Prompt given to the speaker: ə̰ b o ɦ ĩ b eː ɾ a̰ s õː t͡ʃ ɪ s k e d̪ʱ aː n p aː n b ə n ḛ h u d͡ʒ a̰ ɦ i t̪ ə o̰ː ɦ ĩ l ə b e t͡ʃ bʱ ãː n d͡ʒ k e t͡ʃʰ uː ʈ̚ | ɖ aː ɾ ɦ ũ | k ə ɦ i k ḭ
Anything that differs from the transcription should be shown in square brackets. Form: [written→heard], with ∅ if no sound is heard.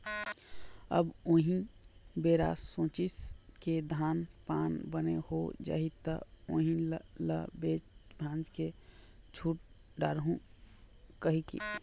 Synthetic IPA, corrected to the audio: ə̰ b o ɦ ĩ b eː ɾ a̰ s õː t͡ʃ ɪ s k e d̪ʱ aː n p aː n b ə n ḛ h [u→o] d͡ʒ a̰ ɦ i t̪ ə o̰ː ɦ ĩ l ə b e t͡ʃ bʱ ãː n d͡ʒ k e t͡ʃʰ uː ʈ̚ | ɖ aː ɾ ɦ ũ | k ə ɦ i k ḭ